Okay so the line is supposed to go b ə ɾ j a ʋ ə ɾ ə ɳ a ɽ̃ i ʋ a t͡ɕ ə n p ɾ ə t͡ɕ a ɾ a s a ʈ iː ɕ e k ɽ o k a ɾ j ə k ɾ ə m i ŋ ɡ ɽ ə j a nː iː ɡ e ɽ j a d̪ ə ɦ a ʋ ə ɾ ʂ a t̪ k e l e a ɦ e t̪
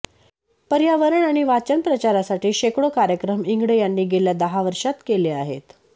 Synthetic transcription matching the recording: p ə ɾ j a ʋ ə ɾ ə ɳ a ɽ̃ i ʋ a t͡ɕ ə n p ɾ ə t͡ɕ a ɾ a s a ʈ iː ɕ e k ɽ o k a ɾ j ə k ɾ ə m i ŋ ɡ ɽ ə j a nː iː ɡ e l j a d̪ ə ɦ a ʋ ə ɾ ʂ a t̪ k e l e a ɦ e t̪